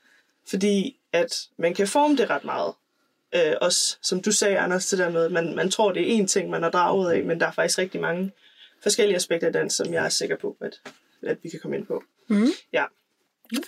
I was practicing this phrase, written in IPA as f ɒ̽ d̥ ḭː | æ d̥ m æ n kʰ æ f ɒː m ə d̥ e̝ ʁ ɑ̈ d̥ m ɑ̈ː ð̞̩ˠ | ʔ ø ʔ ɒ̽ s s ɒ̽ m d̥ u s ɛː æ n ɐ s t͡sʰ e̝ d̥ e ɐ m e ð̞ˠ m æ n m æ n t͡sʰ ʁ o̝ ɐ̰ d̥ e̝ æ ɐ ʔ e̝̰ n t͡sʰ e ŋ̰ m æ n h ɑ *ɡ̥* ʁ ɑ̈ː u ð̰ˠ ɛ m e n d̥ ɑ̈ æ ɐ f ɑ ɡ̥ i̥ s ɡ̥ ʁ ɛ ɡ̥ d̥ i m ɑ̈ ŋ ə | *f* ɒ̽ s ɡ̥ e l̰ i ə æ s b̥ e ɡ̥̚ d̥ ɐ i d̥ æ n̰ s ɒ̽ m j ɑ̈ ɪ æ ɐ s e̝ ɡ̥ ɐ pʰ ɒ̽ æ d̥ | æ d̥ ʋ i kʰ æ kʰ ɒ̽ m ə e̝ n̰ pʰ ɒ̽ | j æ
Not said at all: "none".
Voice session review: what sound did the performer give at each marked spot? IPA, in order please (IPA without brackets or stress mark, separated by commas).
d̥, f